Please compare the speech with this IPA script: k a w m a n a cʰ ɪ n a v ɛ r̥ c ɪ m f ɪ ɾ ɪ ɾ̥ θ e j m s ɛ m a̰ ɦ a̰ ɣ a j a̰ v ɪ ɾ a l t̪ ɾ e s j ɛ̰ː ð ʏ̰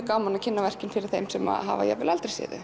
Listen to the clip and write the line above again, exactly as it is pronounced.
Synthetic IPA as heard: k a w m a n a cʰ ɪ nː a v ɛ r̥ c ɪ n f ɪ ɾ ɪ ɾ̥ θ e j m s ɛ m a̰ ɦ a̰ v a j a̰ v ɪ l a l t̪ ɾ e s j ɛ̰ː ð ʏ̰